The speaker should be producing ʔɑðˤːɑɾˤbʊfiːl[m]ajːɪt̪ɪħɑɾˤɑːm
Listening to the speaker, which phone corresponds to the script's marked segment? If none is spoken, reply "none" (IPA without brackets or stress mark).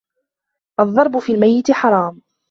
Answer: m